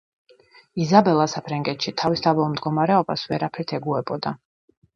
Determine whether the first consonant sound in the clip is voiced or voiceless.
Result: voiced